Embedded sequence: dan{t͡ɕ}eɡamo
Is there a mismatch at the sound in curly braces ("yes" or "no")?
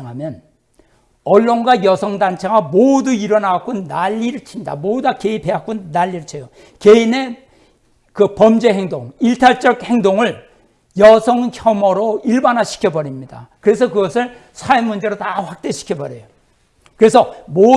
yes